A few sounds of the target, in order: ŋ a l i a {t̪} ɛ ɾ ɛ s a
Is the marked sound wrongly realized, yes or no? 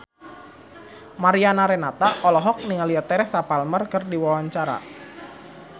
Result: no